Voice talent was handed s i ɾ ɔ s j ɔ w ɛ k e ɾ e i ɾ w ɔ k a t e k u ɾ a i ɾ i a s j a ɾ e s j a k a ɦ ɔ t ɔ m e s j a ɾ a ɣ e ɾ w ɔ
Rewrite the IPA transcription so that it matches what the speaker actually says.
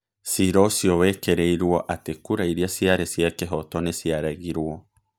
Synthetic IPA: s i ɾ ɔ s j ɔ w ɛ k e ɾ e i ɾ w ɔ ʔ a t e k u ɾ a i ɾ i a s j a ɾ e s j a k e ɦ ɔ t ɔ n e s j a ɾ a ɣ i ɾ w ɔ